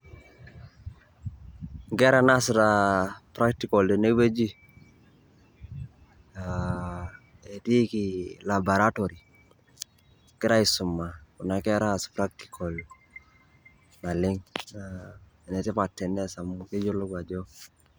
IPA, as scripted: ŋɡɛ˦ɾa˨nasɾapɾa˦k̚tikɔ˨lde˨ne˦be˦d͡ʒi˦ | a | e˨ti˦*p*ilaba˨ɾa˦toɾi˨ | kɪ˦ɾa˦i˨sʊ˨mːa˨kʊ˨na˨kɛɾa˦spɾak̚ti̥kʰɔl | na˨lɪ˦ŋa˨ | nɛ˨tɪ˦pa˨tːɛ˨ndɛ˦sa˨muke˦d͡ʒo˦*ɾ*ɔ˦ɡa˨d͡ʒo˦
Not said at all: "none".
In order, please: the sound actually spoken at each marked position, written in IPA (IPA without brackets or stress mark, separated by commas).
k, l